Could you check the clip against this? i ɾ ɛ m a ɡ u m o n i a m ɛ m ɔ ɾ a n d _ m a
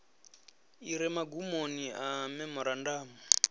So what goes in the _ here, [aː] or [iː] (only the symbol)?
aː